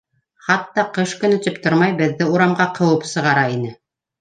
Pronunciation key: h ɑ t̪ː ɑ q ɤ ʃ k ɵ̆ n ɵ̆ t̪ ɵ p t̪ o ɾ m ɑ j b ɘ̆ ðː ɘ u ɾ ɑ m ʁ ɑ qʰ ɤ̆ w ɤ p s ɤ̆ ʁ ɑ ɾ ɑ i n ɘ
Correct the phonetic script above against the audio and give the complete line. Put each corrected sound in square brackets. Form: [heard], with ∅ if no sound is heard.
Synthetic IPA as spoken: [χ] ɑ t̪ː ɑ q ɤ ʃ k ɵ̆ n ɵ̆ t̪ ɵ p t̪ o ɾ m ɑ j b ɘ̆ ðː ɘ u ɾ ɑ m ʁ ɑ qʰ ɤ̆ w ɤ p s ɤ̆ ʁ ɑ ɾ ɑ i n ɘ